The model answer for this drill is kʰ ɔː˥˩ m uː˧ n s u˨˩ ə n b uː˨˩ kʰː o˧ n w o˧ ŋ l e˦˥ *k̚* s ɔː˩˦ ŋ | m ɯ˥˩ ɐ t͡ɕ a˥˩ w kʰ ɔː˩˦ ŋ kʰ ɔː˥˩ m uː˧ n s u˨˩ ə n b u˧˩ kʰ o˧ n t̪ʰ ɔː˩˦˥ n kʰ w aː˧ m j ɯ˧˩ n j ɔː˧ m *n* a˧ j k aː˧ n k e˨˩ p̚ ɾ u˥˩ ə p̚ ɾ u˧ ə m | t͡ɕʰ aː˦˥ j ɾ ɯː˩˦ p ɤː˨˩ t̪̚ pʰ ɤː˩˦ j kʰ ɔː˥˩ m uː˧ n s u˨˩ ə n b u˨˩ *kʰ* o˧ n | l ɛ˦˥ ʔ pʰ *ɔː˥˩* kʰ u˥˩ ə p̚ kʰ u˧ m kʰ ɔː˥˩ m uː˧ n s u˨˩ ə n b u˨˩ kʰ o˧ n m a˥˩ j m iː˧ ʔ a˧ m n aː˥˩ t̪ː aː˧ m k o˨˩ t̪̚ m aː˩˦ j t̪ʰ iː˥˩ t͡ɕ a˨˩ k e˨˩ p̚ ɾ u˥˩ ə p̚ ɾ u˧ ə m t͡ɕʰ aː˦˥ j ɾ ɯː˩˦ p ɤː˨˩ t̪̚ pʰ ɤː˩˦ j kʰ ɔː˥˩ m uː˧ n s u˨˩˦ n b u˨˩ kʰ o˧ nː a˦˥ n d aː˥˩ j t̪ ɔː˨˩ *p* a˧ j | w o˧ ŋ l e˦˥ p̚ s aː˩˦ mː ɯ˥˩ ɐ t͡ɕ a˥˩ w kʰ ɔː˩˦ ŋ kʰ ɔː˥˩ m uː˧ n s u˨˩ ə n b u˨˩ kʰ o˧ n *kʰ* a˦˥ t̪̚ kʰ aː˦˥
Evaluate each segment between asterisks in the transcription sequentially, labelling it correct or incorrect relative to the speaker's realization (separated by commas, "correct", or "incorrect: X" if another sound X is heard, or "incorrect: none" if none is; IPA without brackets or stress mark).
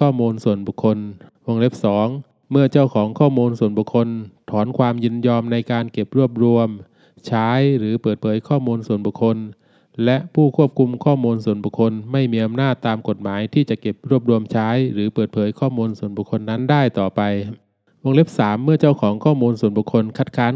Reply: incorrect: p̚, correct, correct, incorrect: uː˥˩, correct, correct